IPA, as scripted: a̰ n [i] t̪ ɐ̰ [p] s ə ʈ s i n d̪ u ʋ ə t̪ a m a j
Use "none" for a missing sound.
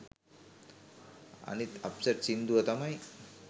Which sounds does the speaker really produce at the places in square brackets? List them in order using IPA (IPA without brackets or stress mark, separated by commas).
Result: i, p